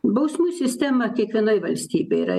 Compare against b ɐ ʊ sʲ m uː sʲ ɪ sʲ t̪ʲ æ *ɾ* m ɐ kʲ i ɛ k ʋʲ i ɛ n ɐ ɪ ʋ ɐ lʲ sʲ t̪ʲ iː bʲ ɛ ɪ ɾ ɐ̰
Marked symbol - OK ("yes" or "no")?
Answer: no